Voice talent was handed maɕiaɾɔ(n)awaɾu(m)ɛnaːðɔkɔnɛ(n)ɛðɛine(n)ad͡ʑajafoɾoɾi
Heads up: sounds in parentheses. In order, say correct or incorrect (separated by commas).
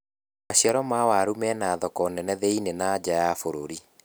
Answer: incorrect, correct, correct, correct